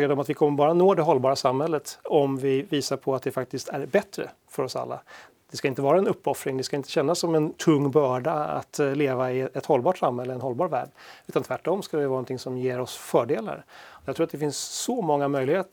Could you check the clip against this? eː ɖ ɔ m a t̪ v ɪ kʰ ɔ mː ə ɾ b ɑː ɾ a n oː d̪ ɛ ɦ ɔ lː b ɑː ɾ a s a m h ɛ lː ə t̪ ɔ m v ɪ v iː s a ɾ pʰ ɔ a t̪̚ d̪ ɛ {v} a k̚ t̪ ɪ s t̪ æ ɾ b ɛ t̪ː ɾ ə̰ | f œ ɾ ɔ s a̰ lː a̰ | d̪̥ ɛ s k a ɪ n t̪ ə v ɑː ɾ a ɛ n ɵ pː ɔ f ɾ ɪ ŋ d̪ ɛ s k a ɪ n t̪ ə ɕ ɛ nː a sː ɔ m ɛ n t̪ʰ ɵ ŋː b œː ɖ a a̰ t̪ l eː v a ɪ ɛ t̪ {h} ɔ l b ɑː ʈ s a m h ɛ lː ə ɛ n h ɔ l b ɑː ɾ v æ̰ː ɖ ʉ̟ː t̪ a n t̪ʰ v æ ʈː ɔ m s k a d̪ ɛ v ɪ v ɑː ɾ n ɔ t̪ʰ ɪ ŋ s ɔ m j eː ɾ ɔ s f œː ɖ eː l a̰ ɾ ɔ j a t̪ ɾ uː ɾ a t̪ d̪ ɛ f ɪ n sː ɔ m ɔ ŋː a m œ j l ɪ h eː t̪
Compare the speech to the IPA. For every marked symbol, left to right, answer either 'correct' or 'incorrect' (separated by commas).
incorrect, correct